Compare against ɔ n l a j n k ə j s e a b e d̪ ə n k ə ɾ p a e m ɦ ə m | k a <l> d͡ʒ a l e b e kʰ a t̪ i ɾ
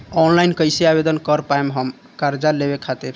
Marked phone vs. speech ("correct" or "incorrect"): incorrect